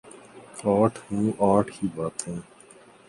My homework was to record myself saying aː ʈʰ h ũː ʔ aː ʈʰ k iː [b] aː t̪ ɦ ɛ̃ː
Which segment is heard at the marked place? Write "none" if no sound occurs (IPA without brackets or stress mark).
b